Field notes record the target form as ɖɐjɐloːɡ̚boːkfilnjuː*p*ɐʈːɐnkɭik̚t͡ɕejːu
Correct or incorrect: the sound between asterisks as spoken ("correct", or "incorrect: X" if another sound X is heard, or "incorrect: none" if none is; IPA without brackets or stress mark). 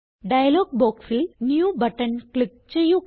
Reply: incorrect: b